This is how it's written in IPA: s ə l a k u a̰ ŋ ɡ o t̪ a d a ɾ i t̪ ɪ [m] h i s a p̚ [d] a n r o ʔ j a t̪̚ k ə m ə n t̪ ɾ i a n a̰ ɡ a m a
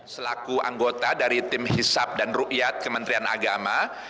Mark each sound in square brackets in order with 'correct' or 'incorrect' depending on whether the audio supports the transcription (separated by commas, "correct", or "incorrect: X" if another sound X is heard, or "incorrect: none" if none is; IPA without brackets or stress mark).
correct, correct